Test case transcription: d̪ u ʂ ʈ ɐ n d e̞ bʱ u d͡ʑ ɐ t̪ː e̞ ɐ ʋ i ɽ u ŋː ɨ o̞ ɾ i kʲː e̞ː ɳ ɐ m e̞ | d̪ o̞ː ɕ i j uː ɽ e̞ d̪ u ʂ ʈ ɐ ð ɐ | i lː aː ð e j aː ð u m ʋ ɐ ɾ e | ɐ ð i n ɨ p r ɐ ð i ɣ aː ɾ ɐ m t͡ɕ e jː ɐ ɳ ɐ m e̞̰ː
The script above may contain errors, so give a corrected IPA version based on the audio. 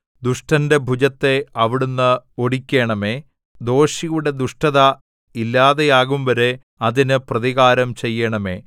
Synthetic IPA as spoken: d̪ u ʂ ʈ ɐ n d e̞ bʱ u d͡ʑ ɐ t̪ː e̞ ɐ ʋ i ɽ u nː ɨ o̞ ɽ i kʲː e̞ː ɳ ɐ m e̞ | d̪ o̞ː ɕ i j u ɽ e̞ d̪ u ʂ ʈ ɐ ð ɐ | i lː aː ð e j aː ɣ u m ʋ ɐ ɾ e | ɐ ð i n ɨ p r ɐ ð i ɣ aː ɾ ɐ m t͡ɕ e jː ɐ ɳ ɐ m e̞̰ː